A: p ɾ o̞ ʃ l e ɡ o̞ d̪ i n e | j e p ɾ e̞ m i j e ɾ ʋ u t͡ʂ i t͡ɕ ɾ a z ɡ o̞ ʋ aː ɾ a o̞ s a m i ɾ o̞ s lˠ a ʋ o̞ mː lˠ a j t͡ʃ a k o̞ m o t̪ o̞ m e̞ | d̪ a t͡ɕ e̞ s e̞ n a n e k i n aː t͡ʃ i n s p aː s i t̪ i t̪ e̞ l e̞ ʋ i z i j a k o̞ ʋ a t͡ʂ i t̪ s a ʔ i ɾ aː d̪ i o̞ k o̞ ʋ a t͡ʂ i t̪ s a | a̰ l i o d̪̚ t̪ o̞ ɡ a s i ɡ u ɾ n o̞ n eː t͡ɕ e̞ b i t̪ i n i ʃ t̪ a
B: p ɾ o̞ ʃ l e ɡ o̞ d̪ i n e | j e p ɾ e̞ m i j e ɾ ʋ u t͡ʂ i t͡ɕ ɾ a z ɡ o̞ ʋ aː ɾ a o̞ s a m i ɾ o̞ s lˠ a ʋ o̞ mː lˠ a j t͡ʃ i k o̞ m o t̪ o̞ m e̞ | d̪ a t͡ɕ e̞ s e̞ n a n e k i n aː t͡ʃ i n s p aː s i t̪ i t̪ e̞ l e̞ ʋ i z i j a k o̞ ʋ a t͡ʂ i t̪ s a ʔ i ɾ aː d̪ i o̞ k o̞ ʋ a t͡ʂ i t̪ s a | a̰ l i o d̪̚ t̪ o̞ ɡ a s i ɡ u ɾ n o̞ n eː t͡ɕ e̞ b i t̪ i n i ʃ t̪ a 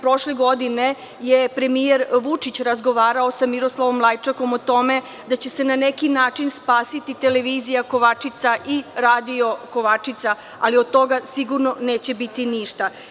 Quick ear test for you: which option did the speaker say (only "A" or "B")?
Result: A